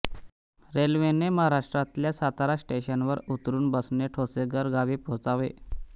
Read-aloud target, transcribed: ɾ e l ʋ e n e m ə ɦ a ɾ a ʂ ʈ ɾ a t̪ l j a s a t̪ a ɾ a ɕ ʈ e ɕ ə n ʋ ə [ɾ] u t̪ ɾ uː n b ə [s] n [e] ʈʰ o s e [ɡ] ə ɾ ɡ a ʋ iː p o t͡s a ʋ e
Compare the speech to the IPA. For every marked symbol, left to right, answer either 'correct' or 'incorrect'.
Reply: correct, correct, correct, correct

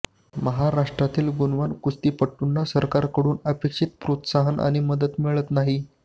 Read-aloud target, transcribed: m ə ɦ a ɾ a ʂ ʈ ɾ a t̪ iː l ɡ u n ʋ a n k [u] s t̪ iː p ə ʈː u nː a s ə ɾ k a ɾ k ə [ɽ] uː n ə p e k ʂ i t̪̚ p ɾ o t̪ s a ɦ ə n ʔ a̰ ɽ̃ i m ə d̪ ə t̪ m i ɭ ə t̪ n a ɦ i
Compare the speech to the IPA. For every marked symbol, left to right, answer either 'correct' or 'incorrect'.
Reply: correct, correct

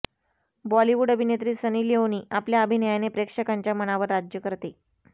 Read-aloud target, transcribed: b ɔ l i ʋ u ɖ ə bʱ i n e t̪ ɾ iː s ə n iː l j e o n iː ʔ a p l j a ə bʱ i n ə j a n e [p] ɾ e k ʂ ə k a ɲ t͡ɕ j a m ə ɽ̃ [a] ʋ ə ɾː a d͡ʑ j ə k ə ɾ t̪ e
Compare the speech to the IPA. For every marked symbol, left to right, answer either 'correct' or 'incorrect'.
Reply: correct, correct

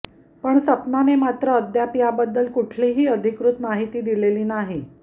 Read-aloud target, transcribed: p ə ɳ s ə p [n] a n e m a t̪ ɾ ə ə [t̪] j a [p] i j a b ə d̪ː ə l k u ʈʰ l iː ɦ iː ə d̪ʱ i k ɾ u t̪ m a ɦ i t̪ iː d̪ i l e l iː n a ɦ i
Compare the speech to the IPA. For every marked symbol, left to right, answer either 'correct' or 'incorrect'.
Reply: correct, incorrect: d̪, correct

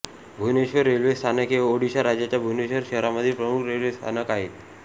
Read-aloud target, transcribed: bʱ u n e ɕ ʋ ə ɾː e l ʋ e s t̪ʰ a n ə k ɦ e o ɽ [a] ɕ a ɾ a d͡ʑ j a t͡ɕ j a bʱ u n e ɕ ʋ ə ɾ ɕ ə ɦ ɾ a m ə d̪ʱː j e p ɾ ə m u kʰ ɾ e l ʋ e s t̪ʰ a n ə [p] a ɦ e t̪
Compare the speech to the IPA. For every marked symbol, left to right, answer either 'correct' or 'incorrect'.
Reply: incorrect: i, incorrect: k

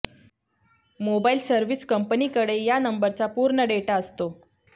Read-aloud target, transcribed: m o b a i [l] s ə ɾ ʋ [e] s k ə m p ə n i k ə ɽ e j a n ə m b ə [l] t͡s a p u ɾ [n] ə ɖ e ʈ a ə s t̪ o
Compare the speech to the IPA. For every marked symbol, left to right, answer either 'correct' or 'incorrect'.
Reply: correct, incorrect: i, incorrect: ɾ, incorrect: ɳ

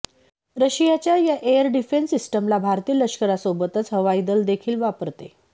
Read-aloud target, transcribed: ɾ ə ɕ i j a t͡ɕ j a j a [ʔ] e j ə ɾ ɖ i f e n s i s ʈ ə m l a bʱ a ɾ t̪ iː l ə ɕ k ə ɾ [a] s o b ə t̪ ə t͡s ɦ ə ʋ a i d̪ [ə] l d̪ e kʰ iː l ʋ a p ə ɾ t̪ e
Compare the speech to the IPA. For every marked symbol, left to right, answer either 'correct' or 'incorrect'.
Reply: correct, correct, correct

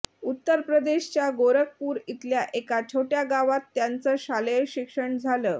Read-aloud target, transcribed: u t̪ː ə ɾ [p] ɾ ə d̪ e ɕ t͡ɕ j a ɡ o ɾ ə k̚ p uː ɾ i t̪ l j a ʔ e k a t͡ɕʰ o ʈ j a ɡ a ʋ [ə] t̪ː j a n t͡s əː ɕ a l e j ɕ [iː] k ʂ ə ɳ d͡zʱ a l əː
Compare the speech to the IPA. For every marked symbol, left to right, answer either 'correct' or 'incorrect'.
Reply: correct, incorrect: a, incorrect: i

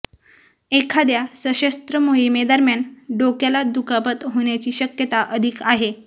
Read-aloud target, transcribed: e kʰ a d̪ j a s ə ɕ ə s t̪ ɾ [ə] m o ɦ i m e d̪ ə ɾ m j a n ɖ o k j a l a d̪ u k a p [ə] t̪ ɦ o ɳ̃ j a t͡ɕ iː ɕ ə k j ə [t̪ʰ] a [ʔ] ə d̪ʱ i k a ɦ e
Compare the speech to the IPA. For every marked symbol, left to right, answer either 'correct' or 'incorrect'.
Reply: correct, correct, incorrect: t̪, correct

